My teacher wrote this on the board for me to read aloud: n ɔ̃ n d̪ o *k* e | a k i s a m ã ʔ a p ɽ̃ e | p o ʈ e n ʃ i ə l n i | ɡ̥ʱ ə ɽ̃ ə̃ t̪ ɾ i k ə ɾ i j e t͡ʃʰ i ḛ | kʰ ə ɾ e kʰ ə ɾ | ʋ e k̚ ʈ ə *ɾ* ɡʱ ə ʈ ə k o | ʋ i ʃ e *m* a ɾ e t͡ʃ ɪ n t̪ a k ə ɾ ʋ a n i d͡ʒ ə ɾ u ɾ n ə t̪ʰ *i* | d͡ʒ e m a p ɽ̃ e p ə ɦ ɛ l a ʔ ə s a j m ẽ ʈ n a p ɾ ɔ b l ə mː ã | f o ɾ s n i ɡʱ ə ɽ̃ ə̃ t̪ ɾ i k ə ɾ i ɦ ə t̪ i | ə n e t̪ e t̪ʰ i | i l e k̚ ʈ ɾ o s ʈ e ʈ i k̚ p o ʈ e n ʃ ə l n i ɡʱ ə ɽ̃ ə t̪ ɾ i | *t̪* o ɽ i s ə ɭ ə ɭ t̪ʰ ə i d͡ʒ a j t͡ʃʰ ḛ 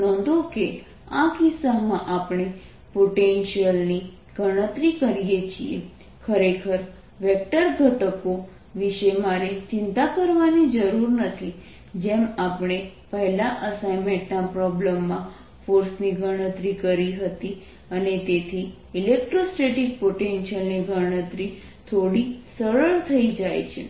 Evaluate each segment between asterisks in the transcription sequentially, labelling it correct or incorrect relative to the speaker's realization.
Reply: correct, correct, correct, correct, incorrect

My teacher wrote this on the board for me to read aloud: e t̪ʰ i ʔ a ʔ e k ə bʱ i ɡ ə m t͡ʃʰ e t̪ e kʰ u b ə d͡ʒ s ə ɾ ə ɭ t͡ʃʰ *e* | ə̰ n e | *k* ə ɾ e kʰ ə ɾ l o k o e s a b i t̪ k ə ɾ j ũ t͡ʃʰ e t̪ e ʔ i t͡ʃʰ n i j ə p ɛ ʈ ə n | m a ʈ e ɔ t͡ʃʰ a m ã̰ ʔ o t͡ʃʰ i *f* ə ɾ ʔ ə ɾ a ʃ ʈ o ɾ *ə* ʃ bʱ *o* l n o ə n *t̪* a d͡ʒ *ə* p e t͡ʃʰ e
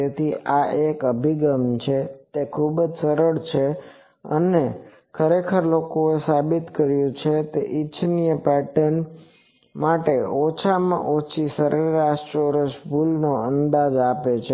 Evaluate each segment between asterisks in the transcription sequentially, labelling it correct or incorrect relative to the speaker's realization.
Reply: correct, incorrect, incorrect, correct, incorrect, incorrect, incorrect

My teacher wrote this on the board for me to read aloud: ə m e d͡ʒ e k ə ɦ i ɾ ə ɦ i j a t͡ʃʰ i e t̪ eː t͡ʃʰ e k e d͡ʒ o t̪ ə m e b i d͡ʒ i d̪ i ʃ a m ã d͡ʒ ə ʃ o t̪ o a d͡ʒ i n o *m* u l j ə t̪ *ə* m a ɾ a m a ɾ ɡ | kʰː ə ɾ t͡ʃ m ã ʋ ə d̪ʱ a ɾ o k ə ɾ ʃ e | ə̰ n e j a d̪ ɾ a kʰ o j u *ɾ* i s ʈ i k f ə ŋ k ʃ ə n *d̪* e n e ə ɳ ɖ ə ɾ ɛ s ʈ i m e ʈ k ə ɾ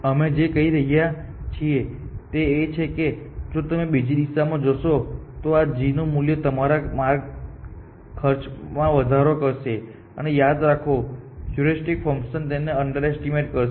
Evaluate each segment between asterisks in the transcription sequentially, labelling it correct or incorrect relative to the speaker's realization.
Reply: correct, correct, correct, incorrect

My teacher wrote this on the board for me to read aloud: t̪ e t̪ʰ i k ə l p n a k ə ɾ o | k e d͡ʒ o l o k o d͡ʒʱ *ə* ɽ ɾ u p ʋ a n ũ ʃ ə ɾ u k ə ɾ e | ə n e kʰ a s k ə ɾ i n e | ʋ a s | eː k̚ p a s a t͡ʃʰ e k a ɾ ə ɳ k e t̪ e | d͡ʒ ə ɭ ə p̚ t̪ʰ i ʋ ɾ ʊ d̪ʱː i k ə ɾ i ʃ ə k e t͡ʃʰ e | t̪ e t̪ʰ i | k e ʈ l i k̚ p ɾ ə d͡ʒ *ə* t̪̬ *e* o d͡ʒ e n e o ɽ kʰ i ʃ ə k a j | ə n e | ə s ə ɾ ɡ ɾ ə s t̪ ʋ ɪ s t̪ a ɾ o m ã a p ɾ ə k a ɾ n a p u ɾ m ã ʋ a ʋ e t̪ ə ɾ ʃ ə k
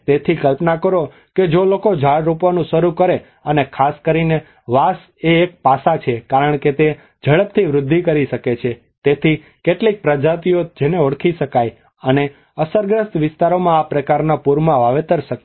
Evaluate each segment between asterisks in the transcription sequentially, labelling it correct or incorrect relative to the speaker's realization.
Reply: incorrect, incorrect, incorrect

